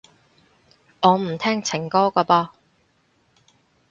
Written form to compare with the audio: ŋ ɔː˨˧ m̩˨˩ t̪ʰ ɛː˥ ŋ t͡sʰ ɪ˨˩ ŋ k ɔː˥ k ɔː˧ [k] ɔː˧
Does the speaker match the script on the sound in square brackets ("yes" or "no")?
no